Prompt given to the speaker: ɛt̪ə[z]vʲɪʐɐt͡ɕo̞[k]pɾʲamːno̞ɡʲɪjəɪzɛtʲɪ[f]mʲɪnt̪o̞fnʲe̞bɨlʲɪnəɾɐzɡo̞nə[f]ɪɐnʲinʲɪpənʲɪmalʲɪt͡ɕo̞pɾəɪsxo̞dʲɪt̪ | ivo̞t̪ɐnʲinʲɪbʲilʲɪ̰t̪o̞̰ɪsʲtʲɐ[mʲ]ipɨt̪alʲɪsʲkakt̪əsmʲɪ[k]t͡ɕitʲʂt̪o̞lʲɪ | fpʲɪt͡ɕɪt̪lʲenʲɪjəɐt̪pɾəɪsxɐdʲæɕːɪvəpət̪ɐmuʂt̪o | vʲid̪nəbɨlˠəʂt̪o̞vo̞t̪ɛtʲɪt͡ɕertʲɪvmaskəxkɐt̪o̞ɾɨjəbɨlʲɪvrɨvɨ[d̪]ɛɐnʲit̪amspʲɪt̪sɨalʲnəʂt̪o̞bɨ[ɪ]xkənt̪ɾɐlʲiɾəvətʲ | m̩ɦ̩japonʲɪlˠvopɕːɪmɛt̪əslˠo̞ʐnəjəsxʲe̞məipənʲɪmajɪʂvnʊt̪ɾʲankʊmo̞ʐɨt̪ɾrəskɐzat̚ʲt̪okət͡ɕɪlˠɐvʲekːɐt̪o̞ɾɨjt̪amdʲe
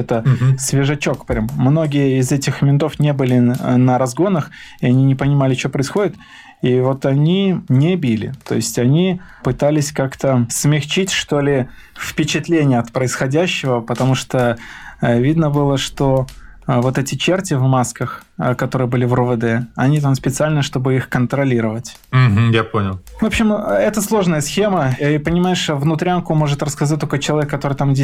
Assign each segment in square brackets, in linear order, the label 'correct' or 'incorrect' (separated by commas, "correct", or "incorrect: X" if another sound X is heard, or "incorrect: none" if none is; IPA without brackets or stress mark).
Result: incorrect: s, correct, incorrect: x, incorrect: x, incorrect: nʲ, incorrect: x, correct, incorrect: i